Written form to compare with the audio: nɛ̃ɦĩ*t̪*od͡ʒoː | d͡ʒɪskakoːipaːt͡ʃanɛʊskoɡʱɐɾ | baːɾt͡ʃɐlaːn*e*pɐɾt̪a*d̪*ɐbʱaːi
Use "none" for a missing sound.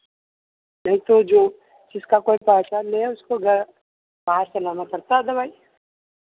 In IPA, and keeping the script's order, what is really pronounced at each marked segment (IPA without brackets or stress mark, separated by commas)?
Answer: t̪, a, d̪